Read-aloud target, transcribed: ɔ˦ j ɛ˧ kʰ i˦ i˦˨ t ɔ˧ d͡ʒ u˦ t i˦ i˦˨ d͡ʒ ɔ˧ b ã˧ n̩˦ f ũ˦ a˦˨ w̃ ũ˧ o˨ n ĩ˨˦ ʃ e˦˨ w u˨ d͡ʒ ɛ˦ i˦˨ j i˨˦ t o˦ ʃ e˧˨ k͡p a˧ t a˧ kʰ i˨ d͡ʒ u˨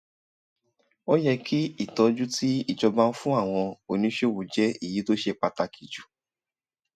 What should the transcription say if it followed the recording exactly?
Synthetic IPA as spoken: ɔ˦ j ɛ˧ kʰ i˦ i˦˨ t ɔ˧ d͡ʒ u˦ t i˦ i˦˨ d͡ʒ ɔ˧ b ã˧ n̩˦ f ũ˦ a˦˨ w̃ ɔ̃˧ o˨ n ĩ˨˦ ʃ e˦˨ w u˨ d͡ʒ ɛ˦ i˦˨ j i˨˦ t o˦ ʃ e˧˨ k͡p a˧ t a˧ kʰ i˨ d͡ʒ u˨

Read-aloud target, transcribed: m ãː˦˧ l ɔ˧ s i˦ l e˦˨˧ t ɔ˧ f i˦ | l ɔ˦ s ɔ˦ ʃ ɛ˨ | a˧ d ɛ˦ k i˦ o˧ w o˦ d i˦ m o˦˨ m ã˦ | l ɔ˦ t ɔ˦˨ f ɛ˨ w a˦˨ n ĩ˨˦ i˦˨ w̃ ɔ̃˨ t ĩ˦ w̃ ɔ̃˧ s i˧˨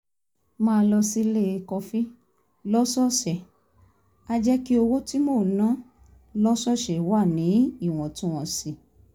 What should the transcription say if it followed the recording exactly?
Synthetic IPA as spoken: m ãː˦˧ l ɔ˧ s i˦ l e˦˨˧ k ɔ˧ f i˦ | l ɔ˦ s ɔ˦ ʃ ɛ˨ | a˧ d͡ʒ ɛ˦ k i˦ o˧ w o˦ t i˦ m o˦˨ n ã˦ | l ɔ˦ s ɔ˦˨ ʃ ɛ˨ w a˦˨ n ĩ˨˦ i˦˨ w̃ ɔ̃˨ t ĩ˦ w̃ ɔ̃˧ s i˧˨

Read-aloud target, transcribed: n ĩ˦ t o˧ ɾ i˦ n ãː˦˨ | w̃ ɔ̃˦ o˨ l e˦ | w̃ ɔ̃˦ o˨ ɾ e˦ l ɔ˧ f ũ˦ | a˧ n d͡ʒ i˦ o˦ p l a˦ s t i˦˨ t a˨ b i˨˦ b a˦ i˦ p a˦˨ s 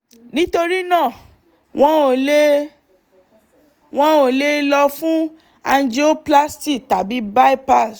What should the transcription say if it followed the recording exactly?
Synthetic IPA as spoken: n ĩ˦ t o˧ ɾ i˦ n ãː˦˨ | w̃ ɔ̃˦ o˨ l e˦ | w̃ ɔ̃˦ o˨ l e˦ l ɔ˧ f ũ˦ | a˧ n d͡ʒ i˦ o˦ p l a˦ s t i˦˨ t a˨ b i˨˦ b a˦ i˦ p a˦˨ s

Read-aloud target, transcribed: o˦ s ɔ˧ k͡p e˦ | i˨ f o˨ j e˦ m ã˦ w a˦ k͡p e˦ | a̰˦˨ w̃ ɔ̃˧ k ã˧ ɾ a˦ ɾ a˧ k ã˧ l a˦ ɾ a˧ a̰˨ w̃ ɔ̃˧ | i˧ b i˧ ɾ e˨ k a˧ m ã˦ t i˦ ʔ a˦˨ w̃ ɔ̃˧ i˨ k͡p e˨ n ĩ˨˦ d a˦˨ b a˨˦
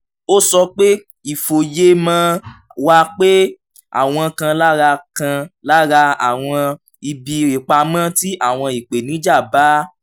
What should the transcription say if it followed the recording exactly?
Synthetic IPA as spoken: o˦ s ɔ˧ k͡p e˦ | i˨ f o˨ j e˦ m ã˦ w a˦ k͡p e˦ | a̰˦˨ w̃ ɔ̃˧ k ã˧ l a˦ ɾ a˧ k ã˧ l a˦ ɾ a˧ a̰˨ w̃ ɔ̃˧ | i˧ b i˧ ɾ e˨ k͡p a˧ m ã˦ t i˦ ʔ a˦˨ w̃ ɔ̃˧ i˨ k͡p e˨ n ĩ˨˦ d͡ʒ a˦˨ b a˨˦

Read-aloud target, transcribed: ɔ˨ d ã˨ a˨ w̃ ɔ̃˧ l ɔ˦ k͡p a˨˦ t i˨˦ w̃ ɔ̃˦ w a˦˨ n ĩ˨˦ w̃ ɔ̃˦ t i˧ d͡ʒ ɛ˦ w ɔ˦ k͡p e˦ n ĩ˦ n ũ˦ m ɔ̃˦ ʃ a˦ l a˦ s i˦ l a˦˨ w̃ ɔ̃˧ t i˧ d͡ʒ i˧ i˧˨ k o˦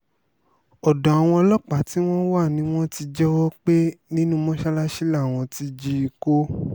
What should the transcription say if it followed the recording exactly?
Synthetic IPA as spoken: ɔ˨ d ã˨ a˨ w̃ ɔ̃˧ l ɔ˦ k͡p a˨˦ t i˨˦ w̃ ɔ̃˦ w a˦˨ n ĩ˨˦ w̃ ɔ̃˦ t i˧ d͡ʒ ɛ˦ w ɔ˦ k͡p e˦ n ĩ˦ n ũ˦ m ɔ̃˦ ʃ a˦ l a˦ ʃ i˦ l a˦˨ w̃ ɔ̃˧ t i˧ d͡ʒ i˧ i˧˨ k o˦

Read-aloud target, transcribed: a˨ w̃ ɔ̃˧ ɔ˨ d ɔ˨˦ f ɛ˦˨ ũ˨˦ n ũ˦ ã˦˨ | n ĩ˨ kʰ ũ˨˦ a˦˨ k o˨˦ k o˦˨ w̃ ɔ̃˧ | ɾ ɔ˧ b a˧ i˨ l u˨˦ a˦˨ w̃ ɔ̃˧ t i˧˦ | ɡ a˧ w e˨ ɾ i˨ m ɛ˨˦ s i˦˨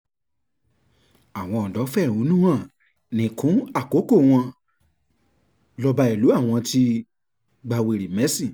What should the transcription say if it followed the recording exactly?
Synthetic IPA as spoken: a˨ w̃ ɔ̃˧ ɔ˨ d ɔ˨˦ f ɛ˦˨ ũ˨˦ n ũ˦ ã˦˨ | n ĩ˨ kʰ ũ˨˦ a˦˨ k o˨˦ k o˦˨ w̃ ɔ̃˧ | l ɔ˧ b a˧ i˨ l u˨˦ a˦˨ w̃ ɔ̃˧ t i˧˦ | ɡ͡b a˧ w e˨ ɾ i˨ m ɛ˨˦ s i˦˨

